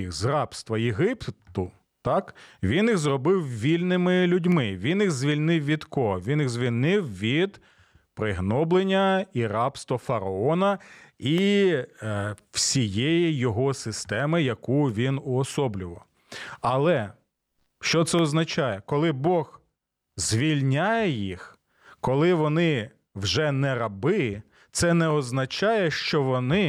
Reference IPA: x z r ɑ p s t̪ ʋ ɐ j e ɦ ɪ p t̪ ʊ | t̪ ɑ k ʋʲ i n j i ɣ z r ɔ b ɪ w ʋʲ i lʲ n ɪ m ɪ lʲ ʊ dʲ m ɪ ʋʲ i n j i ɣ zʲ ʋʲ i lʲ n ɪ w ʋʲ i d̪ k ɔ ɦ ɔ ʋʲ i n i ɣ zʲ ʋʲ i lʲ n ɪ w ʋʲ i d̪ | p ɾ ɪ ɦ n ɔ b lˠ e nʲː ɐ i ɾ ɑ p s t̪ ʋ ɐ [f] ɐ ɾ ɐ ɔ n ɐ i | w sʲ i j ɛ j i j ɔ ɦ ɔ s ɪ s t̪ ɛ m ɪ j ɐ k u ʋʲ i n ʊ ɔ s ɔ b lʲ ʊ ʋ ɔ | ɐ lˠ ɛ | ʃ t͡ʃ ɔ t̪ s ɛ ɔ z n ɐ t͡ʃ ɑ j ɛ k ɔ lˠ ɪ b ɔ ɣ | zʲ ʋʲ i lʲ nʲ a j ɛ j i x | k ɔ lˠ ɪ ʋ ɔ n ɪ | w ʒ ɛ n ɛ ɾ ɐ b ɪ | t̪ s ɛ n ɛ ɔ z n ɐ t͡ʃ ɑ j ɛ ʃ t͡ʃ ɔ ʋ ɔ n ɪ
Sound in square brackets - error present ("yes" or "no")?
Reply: no